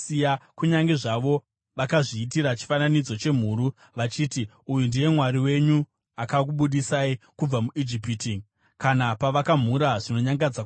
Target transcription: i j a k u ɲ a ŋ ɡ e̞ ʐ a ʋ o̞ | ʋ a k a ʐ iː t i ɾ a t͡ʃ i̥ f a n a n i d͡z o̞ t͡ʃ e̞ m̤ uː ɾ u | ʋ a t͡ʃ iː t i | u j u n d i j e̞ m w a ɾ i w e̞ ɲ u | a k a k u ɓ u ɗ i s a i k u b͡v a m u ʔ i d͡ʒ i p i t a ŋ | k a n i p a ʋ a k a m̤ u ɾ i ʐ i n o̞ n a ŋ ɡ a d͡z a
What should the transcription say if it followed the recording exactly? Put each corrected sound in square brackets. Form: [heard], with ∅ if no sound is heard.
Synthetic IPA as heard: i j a k u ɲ a ŋ ɡ e̞ ʐ a ʋ o̞ | ʋ a k a ʐ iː t i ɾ a t͡ʃ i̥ f a n a n i d͡z o̞ t͡ʃ e̞ m̤ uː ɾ u | ʋ a t͡ʃ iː t i | u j u n d i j e̞ m w a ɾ i w e̞ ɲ u | a k a k u ɓ u ɗ i s a i k u b͡v a m u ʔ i d͡ʒ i p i t [i] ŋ | k a n [a] p a ʋ a k a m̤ u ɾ [a] ʐ i n o̞ [ɲ] a ŋ ɡ a d͡z a